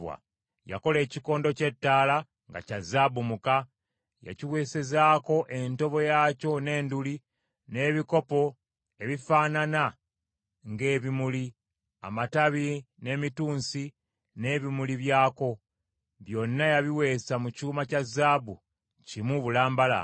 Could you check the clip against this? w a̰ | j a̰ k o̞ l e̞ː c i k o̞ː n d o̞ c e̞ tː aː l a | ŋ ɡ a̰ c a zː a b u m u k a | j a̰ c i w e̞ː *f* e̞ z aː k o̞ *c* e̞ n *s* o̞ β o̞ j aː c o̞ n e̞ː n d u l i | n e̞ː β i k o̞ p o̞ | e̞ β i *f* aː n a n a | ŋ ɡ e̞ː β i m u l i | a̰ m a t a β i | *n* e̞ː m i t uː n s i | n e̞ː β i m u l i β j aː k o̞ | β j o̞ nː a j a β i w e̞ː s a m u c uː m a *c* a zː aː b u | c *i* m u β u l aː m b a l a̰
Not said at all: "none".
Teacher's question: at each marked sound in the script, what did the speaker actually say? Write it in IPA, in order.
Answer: s, ʔ, t, f, n, c, i

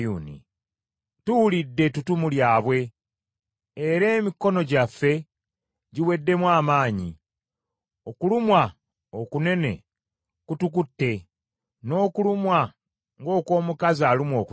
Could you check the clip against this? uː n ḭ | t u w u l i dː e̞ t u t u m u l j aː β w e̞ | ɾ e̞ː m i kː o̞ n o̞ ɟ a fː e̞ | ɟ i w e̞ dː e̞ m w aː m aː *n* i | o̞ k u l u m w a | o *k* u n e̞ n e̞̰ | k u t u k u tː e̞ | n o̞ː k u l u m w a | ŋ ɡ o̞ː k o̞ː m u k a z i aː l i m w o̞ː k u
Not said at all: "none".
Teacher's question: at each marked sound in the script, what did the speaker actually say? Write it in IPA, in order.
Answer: ɲ, k

